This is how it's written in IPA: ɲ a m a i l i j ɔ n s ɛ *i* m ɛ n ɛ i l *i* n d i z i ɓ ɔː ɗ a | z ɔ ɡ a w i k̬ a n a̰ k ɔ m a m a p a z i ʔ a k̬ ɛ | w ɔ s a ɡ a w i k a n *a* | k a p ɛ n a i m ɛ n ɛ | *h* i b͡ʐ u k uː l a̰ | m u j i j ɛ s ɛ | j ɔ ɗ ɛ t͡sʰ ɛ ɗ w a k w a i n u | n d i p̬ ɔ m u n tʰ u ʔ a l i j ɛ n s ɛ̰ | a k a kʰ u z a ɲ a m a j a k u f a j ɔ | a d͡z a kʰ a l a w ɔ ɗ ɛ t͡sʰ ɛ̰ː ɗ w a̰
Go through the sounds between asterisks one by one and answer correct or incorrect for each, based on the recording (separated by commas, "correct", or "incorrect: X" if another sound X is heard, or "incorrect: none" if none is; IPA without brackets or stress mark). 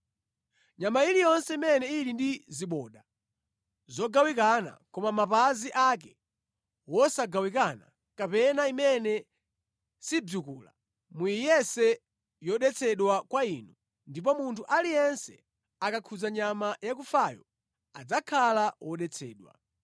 correct, correct, correct, incorrect: s